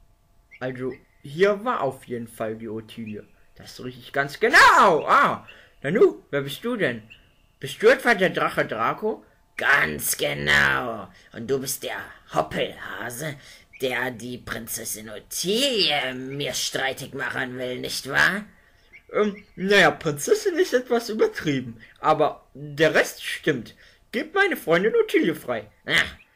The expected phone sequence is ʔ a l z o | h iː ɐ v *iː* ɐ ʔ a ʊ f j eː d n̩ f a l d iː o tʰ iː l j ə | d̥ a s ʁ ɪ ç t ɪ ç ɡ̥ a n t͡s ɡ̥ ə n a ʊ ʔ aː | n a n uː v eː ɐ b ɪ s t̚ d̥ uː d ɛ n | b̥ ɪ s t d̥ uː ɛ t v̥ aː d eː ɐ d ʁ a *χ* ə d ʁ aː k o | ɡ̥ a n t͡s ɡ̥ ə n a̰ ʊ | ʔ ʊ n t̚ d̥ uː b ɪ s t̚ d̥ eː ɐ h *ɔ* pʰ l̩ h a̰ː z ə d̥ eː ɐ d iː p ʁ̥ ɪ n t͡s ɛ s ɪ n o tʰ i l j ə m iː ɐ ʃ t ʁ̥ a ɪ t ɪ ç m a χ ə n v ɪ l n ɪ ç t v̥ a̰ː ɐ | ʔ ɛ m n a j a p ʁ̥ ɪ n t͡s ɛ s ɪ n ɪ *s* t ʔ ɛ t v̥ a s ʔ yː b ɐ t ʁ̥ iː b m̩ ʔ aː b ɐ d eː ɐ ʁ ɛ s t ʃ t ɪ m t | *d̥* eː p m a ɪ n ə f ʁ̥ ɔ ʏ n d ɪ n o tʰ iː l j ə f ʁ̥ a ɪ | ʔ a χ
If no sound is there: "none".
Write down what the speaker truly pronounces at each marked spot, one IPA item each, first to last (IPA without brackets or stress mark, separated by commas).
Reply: aː, χ, ɔ, s, ɡ̥